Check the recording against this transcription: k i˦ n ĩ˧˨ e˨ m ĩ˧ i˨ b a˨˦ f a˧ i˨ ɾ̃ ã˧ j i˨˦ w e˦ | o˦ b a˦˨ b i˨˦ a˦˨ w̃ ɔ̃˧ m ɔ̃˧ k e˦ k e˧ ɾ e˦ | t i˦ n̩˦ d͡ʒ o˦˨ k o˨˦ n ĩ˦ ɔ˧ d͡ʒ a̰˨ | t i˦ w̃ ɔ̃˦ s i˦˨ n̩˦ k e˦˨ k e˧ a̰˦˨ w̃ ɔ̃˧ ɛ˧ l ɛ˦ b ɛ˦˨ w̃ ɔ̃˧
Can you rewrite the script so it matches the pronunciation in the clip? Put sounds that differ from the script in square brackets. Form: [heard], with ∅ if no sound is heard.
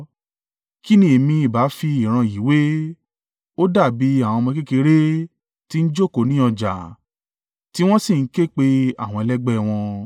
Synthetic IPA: k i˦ n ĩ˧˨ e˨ m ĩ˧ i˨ b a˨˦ f [i˧] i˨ ɾ̃ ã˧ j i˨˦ w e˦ | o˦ [d] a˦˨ b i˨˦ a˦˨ w̃ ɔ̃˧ m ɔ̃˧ k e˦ k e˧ ɾ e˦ | t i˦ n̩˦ d͡ʒ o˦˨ k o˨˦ n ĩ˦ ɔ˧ d͡ʒ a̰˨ | t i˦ w̃ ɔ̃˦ s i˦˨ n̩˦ k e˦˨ [k͡p] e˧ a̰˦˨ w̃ ɔ̃˧ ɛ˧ l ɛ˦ [ɡ͡b] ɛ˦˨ w̃ ɔ̃˧